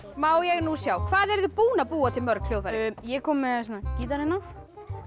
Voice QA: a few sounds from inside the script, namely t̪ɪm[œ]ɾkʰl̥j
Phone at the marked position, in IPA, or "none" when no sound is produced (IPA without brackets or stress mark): œ